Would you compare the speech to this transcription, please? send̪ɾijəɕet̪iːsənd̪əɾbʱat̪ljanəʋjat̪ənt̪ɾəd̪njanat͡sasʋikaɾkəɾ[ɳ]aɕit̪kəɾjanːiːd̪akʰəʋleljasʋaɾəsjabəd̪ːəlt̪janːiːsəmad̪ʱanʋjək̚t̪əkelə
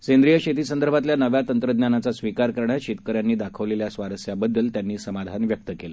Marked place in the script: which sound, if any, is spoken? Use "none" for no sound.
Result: ɳ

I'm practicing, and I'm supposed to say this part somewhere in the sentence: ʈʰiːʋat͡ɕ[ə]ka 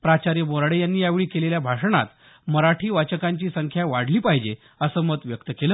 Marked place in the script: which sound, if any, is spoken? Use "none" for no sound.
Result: ə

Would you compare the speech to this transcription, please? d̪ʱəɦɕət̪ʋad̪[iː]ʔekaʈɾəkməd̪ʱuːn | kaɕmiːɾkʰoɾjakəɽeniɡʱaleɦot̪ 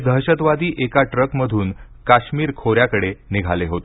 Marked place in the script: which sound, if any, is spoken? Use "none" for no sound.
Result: iː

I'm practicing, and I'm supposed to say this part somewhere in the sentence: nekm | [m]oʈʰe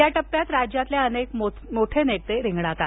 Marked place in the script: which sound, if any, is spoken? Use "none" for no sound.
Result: m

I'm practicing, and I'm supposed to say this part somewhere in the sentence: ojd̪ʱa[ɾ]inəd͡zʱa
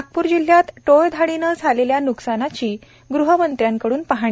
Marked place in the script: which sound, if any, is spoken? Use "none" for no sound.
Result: ɽ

